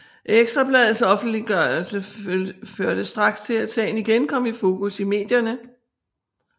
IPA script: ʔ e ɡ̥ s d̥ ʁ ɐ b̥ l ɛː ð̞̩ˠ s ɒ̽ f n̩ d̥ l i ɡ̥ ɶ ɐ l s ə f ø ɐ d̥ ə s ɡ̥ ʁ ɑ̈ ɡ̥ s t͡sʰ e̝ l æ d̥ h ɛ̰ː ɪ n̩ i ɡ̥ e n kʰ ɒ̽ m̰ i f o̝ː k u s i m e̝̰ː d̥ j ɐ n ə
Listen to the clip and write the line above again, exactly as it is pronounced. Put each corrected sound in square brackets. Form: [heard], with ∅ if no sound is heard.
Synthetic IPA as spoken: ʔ e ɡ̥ s d̥ ʁ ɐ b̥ l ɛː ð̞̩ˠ s ɒ̽ f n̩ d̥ l i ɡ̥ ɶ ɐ l s ə f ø ɐ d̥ ə s [d̥] ʁ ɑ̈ ɡ̥ s t͡sʰ e̝ l æ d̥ [s] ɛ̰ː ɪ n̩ i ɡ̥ e n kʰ ɒ̽ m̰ i f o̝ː k u s i m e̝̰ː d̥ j ɐ n ə